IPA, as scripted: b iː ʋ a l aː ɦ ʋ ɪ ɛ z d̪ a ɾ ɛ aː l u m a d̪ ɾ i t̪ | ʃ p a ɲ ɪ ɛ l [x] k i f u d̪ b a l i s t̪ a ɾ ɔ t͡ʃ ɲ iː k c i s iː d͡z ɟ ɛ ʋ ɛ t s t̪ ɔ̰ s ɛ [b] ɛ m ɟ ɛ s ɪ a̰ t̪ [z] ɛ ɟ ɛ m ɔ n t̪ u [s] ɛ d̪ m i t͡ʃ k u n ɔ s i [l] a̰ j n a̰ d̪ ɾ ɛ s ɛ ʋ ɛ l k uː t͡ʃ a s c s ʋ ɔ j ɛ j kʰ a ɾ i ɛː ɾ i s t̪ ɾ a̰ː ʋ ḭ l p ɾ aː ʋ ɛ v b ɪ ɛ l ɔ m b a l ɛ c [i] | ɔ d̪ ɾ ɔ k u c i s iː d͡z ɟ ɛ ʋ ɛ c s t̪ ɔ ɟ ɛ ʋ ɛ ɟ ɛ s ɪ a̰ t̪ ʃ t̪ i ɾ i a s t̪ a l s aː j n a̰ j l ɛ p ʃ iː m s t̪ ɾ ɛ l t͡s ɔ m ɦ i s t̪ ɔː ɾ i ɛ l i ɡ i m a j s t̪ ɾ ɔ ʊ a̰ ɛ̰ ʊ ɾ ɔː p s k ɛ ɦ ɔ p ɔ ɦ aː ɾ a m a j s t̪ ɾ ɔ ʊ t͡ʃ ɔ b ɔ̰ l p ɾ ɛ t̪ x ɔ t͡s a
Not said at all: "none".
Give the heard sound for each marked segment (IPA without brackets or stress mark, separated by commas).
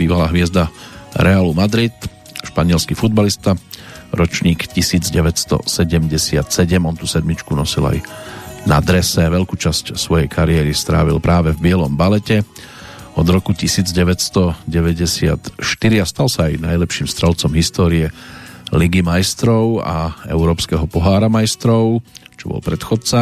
s, ɟ, s, s, l, ɛ